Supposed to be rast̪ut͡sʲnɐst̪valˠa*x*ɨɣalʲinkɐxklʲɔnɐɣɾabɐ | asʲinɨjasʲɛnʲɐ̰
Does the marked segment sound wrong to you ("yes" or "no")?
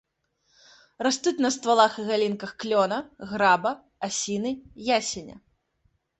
no